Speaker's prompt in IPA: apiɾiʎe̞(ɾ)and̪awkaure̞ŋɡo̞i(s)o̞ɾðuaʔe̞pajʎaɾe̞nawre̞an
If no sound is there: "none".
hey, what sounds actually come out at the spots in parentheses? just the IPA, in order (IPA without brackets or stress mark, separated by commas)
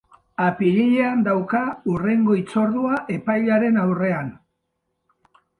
none, t͡s